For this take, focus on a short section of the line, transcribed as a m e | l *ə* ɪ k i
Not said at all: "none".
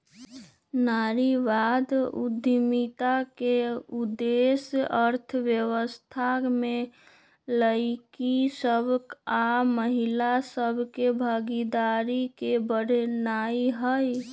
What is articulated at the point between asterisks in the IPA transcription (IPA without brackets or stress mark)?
ə